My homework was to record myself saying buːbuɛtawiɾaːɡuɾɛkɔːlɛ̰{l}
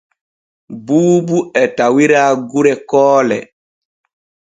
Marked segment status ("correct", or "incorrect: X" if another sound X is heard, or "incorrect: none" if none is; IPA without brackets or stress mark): incorrect: none